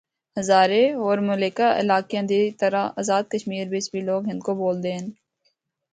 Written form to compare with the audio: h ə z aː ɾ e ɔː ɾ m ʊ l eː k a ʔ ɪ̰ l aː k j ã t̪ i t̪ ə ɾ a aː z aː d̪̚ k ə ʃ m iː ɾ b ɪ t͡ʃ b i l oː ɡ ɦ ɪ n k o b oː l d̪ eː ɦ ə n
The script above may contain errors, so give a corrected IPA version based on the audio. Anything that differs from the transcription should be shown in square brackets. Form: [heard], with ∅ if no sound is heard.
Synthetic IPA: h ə z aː ɾ e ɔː ɾ m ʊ l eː k a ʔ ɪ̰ l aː k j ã [d̪] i t̪ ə ɾ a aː z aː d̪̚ k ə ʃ m iː ɾ b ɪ t͡ʃ b i l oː ɡ ɦ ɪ n k o b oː l d̪ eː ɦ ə n